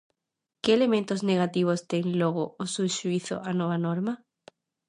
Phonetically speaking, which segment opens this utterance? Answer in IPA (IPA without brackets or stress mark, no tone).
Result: k